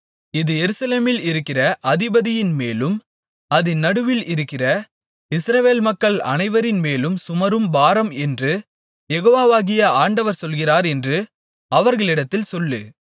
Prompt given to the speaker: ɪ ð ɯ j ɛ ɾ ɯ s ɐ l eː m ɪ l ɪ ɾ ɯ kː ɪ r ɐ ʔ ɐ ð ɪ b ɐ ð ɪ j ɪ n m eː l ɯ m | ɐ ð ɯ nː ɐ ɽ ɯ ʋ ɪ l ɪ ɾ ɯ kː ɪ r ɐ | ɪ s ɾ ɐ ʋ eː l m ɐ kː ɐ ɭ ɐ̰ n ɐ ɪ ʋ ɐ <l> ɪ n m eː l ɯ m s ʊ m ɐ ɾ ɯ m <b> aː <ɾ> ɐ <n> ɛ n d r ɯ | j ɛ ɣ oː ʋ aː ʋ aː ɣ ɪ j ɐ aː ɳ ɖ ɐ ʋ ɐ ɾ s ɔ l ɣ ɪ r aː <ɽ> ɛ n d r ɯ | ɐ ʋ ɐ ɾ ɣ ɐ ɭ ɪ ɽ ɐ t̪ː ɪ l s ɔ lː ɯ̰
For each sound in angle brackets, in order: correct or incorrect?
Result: incorrect, correct, correct, incorrect, incorrect

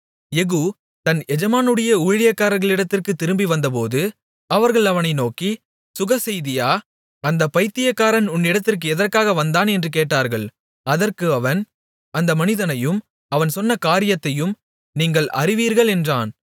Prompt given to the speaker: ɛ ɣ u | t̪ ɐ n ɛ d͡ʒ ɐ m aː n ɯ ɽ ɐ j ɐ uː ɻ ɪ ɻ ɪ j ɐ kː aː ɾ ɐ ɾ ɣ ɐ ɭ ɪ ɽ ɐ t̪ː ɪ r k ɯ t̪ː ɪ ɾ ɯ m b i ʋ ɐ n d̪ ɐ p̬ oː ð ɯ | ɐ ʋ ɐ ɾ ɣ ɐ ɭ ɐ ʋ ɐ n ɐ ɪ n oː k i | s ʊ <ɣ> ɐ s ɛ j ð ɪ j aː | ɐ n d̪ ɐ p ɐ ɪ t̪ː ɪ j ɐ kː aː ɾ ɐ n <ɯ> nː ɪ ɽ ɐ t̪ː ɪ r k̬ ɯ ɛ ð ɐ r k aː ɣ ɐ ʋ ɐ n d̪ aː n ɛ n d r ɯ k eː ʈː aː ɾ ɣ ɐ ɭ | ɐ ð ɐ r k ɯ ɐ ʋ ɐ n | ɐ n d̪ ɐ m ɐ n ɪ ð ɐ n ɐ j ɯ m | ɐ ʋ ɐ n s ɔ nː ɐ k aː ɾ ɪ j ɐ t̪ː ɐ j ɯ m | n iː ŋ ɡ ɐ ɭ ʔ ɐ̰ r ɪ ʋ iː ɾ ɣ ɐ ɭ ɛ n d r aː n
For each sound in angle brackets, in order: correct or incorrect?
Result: correct, incorrect

